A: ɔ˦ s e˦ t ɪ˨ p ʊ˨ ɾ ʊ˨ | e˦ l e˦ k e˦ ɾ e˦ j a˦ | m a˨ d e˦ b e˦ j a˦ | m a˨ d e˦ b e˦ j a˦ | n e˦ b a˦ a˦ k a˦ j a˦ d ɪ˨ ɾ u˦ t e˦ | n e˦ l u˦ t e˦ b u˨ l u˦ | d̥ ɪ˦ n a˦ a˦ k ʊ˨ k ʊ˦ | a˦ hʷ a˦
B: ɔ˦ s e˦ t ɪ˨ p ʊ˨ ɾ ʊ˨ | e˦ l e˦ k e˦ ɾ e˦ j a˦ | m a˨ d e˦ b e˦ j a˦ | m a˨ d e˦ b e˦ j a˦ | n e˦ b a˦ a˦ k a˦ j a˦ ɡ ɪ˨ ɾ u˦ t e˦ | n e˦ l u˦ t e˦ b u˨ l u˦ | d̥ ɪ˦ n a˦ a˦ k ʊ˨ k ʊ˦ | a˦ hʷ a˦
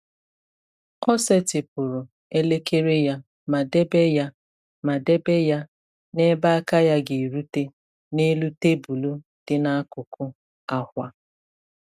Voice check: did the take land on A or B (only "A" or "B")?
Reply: B